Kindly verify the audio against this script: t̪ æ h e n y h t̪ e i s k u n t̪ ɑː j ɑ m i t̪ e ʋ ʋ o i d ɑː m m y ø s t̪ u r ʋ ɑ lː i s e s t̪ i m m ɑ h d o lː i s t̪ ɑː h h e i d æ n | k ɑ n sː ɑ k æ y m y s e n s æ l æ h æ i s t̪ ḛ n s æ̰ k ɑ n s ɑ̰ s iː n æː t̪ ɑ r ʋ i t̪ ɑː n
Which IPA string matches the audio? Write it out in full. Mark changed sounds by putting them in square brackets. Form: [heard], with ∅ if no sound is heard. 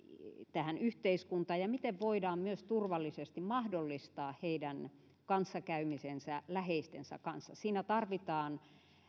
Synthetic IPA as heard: t̪ æ h [æ] n y h t̪ e i s k u n t̪ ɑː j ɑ m i t̪ e ʋ ʋ o i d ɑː m m y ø s t̪ u r ʋ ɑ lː i s e s t̪ i m m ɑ h d o lː i s t̪ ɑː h h e i d æ n | k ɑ n sː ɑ k æ y m [i] s e n s æ l æ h [e] i s t̪ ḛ n s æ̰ k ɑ n [sː] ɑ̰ s iː n [æ] t̪ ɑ r ʋ i t̪ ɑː n